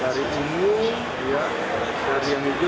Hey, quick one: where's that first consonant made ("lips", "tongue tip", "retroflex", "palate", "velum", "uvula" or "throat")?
tongue tip